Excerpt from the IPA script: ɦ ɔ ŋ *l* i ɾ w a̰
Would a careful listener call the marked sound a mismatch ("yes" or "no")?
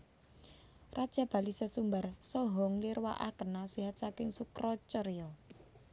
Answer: no